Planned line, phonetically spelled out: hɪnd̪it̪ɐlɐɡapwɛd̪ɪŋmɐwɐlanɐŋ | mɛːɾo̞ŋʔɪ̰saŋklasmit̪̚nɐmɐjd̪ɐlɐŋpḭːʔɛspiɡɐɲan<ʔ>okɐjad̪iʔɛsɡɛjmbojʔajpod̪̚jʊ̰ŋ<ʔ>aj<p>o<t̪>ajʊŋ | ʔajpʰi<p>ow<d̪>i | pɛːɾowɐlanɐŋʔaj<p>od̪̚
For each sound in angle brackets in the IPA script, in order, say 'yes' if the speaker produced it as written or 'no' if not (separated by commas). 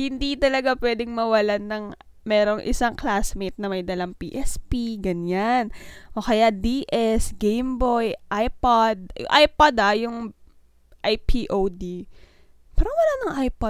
yes, yes, yes, no, no, yes, yes